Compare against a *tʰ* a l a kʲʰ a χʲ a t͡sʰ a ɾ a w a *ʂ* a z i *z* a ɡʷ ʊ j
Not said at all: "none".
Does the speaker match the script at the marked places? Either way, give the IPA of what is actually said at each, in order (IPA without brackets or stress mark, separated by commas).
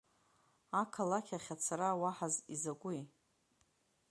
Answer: kʰ, ħ, z